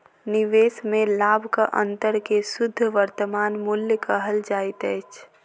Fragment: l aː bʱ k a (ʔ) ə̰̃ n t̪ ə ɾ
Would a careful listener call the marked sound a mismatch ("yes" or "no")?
no